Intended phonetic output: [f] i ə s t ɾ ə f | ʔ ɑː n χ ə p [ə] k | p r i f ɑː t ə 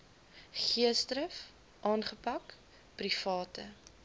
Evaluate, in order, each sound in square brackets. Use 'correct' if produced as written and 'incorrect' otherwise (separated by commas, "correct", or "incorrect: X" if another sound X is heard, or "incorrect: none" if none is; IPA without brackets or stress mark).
incorrect: χ, incorrect: ɐ